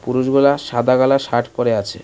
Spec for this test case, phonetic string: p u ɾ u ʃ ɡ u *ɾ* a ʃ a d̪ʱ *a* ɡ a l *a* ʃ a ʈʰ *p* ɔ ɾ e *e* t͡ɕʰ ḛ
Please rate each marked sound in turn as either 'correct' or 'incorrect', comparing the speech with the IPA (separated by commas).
incorrect, correct, correct, correct, incorrect